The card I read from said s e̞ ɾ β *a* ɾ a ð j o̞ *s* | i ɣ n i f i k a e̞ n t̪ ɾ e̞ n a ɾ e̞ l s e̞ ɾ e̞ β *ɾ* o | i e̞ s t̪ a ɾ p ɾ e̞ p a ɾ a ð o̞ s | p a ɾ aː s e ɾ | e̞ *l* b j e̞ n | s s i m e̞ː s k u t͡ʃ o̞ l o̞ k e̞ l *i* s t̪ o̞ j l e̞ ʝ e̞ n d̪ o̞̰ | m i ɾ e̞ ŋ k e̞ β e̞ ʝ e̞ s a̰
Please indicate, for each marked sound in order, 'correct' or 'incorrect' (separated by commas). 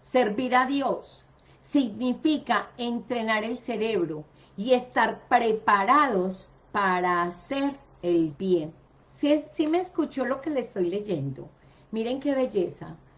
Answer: incorrect, incorrect, correct, correct, incorrect